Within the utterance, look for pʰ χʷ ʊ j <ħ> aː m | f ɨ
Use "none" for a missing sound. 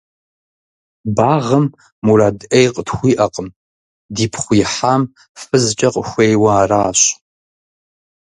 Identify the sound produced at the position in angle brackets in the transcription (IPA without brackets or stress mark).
ħ